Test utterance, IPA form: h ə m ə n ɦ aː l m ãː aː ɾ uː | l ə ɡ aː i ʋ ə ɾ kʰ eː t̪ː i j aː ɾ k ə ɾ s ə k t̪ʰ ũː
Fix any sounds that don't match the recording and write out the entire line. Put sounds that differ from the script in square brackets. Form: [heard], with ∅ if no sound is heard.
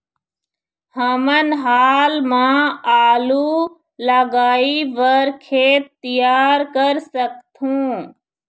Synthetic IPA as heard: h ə m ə n ɦ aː l m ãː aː [l] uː | l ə ɡ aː i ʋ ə ɾ kʰ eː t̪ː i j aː ɾ k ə ɾ s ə k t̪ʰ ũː

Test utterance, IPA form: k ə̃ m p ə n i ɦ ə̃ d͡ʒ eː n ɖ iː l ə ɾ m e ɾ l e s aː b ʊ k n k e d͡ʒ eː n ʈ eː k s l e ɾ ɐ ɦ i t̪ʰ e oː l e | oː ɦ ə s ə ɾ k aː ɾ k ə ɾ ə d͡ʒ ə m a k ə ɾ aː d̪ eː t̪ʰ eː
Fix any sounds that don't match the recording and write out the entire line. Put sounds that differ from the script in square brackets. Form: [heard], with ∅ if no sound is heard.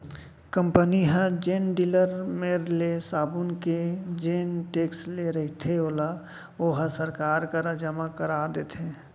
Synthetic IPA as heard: k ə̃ m p ə n i ɦ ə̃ d͡ʒ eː n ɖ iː l ə ɾ m e ɾ l e s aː b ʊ [∅] n k e d͡ʒ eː n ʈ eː k s l e ɾ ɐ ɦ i t̪ʰ e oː l [a] | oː ɦ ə s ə ɾ k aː ɾ k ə ɾ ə d͡ʒ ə m a k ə ɾ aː d̪ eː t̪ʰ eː

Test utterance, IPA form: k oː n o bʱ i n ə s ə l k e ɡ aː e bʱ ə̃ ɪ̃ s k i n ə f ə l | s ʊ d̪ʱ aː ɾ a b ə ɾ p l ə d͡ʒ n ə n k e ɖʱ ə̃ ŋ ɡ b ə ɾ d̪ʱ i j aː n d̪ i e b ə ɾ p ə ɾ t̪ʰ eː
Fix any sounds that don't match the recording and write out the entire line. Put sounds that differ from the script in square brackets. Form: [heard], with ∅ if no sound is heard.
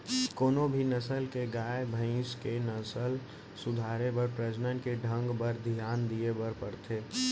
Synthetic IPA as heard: k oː n o bʱ i n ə s ə l k e ɡ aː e bʱ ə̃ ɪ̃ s k [e] n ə [s] ə l | s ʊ d̪ʱ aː ɾ [e] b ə ɾ p [ɾ] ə d͡ʒ n ə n k e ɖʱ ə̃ ŋ ɡ b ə ɾ d̪ʱ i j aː n d̪ i e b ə ɾ p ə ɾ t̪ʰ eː

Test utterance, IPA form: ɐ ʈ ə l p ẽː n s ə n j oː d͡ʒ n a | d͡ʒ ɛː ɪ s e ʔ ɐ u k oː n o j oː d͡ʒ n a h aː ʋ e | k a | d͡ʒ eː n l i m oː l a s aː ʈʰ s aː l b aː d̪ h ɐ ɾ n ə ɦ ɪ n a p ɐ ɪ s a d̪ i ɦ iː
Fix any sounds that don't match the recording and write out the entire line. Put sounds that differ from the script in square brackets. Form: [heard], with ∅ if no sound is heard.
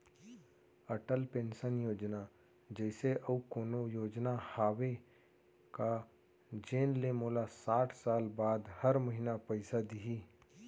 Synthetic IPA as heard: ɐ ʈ ə l p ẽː n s ə n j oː d͡ʒ n a | d͡ʒ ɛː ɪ s e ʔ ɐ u k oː n o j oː d͡ʒ n a h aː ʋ e | k a | d͡ʒ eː n l [e] m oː l a s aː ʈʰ s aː l b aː d̪ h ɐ ɾ [m] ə ɦ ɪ n a p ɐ ɪ s a d̪ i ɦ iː

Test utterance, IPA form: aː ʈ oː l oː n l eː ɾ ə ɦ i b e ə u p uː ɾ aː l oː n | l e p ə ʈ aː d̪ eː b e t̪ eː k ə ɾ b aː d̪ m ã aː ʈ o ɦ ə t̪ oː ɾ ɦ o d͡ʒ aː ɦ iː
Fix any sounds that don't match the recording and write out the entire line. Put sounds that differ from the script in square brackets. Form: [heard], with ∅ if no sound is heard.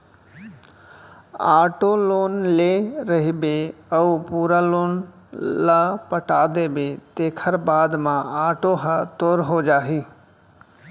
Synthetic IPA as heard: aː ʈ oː l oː n l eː ɾ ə ɦ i b e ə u p uː ɾ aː l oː n | l [a] p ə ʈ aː d̪ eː b e t̪ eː [kʰ] ə ɾ b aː d̪ m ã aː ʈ o ɦ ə t̪ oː ɾ ɦ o d͡ʒ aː ɦ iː

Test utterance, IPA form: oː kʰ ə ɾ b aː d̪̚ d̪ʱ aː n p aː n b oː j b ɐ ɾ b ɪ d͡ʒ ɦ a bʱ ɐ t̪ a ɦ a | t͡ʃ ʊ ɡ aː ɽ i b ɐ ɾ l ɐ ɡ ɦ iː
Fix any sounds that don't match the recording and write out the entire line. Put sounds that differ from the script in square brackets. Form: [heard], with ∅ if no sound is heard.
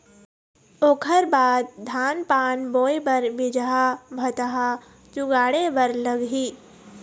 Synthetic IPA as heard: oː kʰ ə ɾ b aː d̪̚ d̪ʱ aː n p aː n b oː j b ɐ ɾ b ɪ d͡ʒ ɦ a bʱ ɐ t̪ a ɦ a | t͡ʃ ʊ ɡ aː ɽ [e] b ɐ ɾ l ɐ ɡ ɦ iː

